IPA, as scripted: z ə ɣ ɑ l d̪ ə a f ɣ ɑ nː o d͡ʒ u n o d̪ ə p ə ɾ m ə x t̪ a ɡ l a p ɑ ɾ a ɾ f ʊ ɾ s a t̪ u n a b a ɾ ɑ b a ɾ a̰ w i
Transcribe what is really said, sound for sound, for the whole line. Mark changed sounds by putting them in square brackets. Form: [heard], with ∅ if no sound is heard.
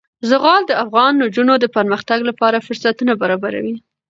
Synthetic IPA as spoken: z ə ɣ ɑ l d̪ ə a f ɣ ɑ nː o d͡ʒ u n o d̪ ə p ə ɾ m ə x t̪ a ɡ l a p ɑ ɾ a [∅] f ʊ ɾ s a t̪ u n a b a ɾ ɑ b a ɾ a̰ w i